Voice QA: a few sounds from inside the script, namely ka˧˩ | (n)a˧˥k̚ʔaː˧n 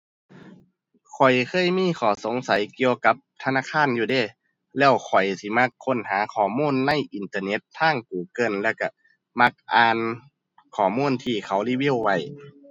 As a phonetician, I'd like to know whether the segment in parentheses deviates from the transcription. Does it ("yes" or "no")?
yes